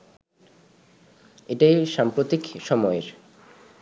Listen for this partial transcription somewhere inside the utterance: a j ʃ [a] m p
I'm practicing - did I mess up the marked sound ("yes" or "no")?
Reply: no